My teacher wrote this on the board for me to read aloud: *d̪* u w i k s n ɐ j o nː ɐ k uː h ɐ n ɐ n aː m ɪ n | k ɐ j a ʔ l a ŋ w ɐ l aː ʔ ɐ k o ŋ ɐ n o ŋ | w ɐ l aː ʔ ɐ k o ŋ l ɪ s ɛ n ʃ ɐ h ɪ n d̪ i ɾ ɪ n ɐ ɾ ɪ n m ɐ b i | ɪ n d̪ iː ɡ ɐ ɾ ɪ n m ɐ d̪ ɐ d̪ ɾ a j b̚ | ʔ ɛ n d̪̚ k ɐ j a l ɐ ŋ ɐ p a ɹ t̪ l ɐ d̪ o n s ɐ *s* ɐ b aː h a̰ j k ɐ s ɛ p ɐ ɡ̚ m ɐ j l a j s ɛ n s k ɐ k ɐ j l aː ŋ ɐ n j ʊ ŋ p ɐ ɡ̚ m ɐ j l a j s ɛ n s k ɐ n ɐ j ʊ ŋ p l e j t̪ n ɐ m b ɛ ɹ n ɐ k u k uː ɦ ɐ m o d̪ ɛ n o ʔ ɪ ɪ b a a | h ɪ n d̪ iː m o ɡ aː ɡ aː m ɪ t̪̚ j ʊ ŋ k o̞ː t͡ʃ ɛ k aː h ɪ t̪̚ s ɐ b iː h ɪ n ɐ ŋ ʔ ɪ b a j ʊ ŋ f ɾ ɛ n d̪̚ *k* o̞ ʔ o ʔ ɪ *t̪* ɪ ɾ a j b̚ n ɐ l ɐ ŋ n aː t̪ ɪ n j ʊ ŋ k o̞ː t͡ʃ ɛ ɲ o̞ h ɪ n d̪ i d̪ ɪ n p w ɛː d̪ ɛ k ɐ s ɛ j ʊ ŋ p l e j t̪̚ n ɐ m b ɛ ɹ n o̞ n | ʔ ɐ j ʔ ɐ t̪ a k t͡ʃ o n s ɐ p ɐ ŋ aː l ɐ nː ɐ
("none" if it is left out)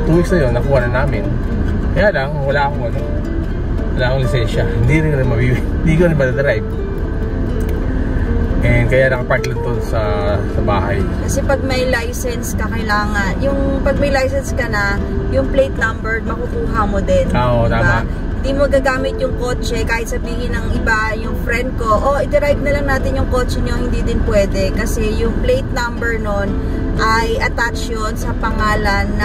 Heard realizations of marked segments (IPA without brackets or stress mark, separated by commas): t̪, s, k, d̪